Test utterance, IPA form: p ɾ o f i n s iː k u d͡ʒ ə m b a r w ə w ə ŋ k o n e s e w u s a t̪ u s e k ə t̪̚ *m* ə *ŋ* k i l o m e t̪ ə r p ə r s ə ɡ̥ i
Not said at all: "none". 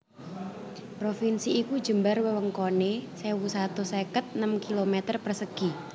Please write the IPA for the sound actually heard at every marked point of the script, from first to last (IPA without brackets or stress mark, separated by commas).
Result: n, m